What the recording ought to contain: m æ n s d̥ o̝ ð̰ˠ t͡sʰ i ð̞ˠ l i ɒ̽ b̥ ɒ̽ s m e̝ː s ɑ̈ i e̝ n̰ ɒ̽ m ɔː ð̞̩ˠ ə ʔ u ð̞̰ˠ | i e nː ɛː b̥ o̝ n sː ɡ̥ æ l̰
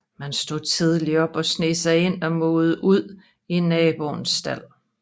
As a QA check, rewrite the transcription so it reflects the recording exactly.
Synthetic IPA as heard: m æ n s d̥ o̝ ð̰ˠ t͡sʰ i ð̞ˠ l i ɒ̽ b̥ ɒ̽ s n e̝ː s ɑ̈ ɪ e̝ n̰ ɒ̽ m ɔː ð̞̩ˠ ə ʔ u ð̞̰ˠ | i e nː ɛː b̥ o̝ n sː d̥ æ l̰